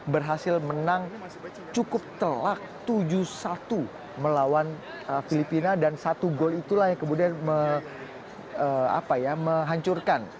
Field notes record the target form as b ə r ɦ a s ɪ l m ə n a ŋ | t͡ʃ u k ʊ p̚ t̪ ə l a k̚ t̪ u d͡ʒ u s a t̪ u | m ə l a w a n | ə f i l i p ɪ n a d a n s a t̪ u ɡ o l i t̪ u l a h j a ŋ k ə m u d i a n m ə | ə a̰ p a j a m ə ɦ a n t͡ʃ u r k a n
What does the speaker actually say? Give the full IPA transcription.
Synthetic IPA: b ə r ɦ a s ɪ l m ə n a ŋ | t͡ʃ u k ʊ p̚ t̪ ə l a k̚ t̪ u d͡ʒ u s a t̪ u | m ə l a w a n | ə f i l i p i n a d a n s a t̪ u ɡ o l i t̪ u l a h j a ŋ k ə m u d i a n m ə | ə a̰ p a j a m ə ɦ a ɲ t͡ʃ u r k a n